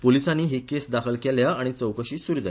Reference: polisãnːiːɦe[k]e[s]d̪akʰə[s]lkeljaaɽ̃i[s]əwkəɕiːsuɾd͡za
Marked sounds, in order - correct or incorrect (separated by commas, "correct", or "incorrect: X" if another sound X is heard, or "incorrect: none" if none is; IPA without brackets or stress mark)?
correct, correct, incorrect: none, incorrect: t͡s